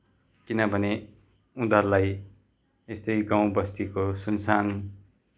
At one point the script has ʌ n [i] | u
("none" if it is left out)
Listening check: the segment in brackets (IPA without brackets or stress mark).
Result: e